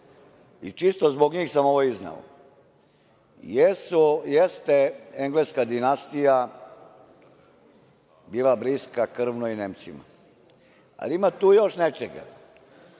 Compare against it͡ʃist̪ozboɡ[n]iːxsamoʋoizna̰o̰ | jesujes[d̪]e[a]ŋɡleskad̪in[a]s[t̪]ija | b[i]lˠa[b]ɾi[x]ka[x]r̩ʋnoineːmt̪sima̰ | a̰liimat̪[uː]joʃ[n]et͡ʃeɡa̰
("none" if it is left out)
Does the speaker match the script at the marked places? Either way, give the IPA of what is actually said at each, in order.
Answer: ɲ, t̪, e, a, t̪, iː, b, s, k, uː, n

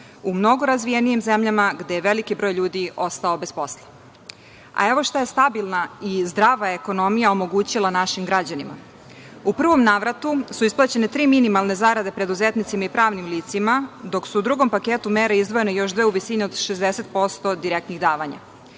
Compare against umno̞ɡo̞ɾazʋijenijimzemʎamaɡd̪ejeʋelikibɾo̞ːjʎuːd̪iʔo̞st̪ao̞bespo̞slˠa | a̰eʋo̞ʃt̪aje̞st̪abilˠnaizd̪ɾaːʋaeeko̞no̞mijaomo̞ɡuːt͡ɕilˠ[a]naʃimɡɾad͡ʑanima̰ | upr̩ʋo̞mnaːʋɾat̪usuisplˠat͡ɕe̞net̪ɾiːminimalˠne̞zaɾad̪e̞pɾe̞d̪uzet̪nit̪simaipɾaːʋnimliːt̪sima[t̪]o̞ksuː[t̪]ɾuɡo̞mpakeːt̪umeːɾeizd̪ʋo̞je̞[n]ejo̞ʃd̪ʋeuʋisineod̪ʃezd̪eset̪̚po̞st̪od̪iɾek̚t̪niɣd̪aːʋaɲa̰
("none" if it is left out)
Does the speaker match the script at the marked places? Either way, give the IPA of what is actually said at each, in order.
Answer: a, d̪, d̪, n

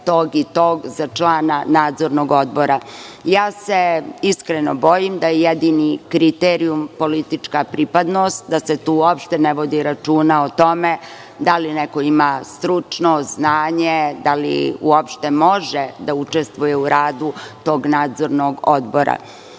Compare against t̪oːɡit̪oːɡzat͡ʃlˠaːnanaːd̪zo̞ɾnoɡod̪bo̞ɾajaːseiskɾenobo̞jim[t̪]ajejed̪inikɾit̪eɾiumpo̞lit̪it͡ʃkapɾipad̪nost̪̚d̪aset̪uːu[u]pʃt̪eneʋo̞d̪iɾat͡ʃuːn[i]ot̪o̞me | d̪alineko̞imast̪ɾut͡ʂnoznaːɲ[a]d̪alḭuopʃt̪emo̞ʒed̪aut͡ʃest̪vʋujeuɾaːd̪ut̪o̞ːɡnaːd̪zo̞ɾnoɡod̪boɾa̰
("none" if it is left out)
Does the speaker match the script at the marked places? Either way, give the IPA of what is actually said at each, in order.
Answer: d̪, o, a, e

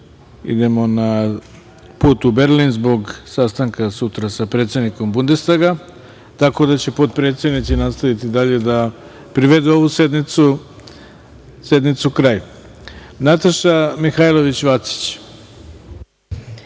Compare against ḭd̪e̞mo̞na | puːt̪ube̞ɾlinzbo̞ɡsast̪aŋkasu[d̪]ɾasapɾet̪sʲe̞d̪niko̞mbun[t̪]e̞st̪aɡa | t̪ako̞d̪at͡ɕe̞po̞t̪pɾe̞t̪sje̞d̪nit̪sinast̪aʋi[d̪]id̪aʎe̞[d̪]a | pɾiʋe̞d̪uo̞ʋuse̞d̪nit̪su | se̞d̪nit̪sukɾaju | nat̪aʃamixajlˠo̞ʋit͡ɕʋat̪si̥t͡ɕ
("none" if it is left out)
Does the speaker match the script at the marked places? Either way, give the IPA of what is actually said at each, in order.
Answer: t̪, d̪, t̪, d̪

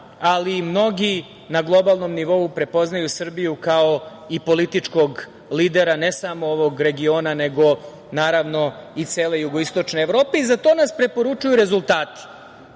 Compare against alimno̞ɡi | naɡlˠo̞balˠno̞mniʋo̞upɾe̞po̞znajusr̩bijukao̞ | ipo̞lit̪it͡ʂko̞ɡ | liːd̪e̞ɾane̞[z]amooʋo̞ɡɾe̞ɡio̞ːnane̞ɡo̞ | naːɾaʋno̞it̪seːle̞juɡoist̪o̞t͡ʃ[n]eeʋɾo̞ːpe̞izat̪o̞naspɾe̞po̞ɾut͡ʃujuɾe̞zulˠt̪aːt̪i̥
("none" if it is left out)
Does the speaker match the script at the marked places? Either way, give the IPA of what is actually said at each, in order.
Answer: s, n

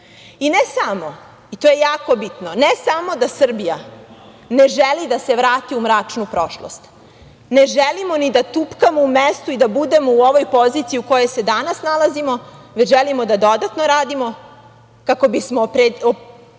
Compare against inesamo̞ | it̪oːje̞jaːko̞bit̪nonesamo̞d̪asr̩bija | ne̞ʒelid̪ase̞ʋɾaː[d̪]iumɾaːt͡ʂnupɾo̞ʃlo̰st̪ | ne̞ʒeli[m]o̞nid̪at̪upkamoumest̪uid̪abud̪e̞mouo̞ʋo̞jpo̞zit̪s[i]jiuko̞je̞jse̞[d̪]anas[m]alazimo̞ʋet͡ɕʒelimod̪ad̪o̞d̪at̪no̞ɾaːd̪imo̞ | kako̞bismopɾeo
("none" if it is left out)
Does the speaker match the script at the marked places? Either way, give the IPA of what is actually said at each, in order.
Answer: t̪, m, i, d̪, n

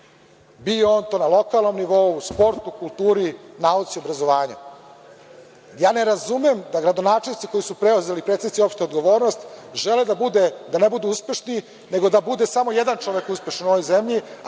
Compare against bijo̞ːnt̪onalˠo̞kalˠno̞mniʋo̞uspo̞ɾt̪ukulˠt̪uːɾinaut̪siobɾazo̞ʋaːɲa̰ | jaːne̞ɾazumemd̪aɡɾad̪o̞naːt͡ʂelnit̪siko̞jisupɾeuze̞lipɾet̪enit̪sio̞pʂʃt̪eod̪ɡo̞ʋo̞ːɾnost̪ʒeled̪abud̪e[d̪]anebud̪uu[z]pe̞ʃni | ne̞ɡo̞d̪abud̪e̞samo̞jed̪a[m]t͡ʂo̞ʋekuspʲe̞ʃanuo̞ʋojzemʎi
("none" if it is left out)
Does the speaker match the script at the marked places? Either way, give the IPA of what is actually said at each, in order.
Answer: d̪, s, n

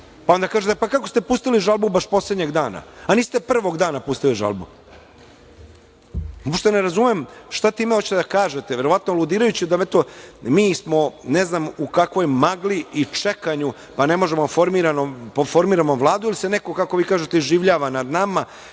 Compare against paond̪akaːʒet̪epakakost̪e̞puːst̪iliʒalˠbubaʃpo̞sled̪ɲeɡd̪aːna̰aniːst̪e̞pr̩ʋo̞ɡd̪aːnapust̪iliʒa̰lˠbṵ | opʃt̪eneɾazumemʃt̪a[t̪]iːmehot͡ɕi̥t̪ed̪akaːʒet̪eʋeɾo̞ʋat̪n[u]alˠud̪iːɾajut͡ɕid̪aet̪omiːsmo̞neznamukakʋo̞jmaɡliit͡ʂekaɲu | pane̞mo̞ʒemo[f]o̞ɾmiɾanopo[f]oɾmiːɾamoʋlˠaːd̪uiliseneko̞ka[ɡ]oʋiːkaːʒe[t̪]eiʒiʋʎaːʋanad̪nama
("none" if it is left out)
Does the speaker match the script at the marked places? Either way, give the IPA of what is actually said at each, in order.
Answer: t̪, o, f, f, k, t̪

